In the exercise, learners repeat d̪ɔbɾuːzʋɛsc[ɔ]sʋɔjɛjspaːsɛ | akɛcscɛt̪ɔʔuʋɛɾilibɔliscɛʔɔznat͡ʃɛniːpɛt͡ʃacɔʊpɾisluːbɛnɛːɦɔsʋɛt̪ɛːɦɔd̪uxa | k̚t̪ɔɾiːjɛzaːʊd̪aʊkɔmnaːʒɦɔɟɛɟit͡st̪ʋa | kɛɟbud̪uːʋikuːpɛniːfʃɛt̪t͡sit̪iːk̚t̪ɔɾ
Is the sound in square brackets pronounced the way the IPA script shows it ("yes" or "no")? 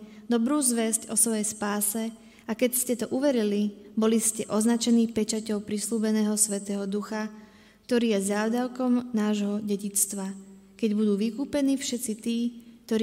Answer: yes